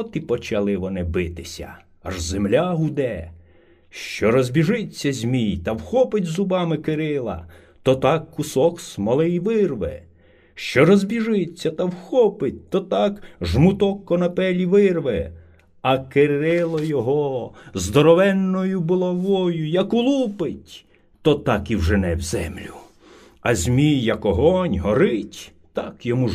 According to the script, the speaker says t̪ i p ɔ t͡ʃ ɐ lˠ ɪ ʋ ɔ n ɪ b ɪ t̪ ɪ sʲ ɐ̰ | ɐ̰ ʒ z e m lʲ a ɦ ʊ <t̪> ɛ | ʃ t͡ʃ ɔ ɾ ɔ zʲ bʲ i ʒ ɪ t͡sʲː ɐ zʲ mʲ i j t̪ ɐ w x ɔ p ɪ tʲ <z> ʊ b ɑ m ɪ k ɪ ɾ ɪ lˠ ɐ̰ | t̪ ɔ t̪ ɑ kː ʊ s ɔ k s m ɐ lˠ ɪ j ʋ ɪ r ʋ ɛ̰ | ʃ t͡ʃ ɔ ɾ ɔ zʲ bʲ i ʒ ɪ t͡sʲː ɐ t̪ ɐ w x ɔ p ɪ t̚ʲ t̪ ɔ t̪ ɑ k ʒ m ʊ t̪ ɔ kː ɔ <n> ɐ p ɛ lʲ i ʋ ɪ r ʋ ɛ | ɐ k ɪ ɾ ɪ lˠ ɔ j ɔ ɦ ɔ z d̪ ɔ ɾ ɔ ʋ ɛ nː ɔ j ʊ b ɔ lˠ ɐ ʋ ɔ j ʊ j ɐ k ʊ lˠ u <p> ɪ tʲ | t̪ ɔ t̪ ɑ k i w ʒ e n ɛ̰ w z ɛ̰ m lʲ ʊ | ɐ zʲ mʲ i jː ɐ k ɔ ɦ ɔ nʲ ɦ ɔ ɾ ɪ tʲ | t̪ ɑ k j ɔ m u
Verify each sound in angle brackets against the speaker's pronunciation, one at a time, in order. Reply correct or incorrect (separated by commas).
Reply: incorrect, correct, correct, correct